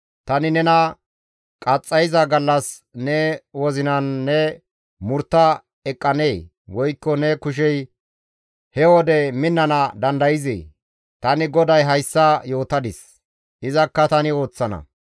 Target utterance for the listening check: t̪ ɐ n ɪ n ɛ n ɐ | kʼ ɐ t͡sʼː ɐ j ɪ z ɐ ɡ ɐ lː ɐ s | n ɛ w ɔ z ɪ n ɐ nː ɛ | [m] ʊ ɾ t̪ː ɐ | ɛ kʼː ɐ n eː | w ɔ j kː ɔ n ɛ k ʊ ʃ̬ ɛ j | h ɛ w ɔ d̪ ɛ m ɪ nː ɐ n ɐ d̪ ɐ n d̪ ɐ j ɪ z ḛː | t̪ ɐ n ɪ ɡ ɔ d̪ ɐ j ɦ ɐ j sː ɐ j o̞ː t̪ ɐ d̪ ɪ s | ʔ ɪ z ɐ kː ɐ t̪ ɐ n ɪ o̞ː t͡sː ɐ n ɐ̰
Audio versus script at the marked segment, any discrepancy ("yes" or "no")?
no